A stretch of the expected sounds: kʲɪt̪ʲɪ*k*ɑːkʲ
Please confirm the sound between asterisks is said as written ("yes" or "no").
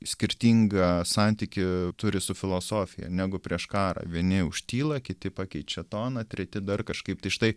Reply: no